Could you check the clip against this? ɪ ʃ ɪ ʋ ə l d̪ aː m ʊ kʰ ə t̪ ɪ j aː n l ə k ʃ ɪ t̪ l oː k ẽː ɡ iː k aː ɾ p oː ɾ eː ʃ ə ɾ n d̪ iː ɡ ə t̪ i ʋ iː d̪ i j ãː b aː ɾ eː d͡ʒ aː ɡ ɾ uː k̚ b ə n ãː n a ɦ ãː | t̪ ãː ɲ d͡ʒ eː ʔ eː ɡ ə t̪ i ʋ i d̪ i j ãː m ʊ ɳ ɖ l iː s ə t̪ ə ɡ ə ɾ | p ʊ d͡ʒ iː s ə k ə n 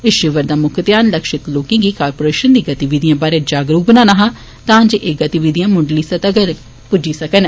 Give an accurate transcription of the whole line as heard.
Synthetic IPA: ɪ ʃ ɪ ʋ ə ɾ d̪ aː m ʊ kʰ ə t̪ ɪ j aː n l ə k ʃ ɪ t̪ l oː k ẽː ɡ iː k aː ɾ p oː ɾ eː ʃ ə n d̪ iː ɡ ə t̪ i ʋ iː d̪ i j ãː b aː ɾ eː d͡ʒ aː ɡ ɾ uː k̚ b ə n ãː n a ɦ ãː | t̪ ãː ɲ d͡ʒ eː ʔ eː ɡ ə t̪ i ʋ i d̪ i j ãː m ʊ ɳ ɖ l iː s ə t̪ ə ɡ ə ɾ | p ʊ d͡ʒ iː s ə k ə n